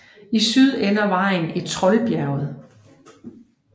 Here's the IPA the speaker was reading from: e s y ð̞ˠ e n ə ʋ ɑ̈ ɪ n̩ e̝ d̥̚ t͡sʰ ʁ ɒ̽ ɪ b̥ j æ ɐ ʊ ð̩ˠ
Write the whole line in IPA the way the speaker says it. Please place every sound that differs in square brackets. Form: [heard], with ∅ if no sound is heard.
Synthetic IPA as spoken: [i] s y ð̞ˠ e n [ɐ] ʋ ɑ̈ ɪ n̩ e̝ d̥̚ t͡sʰ ʁ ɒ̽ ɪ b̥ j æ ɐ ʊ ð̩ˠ